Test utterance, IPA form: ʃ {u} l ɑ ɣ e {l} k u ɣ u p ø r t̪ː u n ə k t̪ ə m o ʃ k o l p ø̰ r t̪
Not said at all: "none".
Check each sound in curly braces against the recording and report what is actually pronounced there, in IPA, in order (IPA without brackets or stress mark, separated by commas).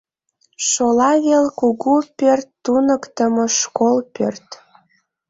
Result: o, l